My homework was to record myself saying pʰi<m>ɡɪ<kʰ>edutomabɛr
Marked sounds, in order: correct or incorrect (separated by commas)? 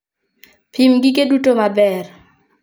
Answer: correct, incorrect